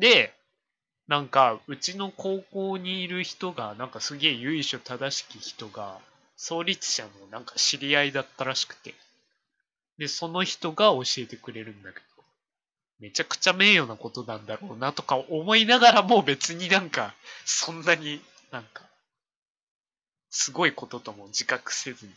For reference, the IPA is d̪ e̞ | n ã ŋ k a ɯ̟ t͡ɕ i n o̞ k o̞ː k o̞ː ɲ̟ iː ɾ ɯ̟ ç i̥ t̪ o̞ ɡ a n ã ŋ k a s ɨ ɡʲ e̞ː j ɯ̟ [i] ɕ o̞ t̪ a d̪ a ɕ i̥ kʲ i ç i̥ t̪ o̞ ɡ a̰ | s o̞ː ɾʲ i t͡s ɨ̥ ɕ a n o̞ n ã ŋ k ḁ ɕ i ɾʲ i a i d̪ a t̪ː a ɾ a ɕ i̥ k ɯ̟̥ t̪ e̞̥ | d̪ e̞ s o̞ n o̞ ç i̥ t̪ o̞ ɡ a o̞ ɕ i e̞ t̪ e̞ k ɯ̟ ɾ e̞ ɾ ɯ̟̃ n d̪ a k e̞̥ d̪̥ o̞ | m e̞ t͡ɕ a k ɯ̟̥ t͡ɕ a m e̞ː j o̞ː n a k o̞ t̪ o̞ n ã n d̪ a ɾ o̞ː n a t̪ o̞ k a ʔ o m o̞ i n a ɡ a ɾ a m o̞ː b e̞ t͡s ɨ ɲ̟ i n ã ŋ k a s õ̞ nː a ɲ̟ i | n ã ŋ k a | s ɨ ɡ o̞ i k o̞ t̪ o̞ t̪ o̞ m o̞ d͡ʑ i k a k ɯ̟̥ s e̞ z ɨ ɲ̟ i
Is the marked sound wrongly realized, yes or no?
no